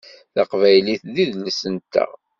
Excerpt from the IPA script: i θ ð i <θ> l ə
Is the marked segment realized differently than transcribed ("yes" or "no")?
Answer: yes